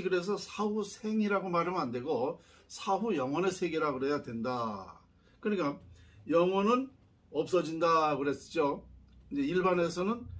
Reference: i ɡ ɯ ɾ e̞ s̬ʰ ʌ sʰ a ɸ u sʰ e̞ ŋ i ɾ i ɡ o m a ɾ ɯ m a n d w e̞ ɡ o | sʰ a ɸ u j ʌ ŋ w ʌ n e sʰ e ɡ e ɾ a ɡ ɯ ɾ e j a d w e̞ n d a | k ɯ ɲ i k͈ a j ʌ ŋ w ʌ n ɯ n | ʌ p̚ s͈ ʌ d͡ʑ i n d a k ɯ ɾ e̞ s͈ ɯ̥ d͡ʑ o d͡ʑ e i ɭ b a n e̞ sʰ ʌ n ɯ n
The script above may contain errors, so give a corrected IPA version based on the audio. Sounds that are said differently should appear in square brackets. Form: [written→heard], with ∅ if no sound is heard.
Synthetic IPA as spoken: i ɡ ɯ ɾ e̞ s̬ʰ ʌ sʰ a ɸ u sʰ e̞ ŋ i ɾ [i→a] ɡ o m a ɾ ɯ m a n d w e̞ ɡ o | sʰ a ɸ u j ʌ ŋ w ʌ n e sʰ e ɡ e ɾ a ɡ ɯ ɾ e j a d w e̞ n d a | k ɯ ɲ i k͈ a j ʌ ŋ w ʌ n ɯ n | ʌ p̚ s͈ ʌ d͡ʑ i n d a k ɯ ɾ e̞ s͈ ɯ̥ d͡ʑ o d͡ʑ e i ɭ b a n e̞ sʰ ʌ n ɯ n